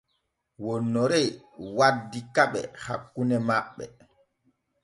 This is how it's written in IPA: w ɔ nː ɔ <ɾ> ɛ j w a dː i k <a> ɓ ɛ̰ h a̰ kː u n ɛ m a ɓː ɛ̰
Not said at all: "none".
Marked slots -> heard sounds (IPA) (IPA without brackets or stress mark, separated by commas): ɾ, a